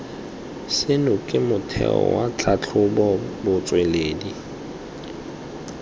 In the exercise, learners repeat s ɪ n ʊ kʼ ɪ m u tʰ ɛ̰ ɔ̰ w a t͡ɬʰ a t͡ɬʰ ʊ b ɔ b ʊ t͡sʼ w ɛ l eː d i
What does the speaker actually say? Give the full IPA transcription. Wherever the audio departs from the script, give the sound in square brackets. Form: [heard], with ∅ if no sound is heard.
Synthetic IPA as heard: s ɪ n ʊ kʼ ɪ m [ʊ] tʰ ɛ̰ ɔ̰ w a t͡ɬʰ a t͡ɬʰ ʊ b ɔ b ʊ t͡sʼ w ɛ l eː d i